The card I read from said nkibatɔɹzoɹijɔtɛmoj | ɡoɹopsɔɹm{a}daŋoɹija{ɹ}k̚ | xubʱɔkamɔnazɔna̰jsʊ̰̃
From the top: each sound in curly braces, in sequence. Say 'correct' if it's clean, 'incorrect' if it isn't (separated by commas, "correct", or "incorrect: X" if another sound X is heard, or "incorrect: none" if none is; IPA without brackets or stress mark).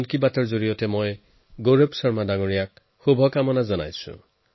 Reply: correct, incorrect: none